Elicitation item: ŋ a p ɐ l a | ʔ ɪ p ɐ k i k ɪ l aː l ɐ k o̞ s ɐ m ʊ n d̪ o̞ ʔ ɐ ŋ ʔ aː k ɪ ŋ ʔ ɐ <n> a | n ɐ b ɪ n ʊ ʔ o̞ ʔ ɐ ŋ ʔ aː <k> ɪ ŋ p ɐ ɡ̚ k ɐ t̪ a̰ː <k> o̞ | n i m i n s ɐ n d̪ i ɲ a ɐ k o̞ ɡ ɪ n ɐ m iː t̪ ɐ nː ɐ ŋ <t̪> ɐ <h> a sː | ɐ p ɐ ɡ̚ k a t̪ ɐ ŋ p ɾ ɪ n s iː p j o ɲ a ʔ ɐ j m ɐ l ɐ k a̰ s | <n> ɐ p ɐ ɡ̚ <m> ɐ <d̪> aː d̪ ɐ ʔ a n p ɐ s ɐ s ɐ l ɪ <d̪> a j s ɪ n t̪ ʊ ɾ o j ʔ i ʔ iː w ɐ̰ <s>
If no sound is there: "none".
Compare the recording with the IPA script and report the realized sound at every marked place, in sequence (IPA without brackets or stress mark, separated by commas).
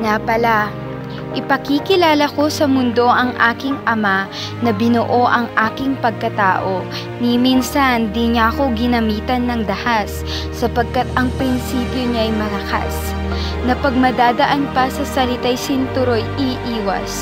m, k, ʔ, d̪, h, n, m, d̪, t̪, s